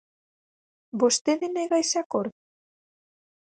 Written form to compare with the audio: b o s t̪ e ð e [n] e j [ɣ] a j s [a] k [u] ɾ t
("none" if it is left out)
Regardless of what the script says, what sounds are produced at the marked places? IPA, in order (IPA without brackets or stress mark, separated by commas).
n, ɣ, a, o